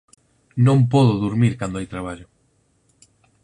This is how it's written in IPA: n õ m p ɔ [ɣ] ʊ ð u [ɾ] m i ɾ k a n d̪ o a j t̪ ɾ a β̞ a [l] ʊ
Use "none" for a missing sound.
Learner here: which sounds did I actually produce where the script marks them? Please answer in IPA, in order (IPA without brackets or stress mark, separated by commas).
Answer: ð, ɾ, ʎ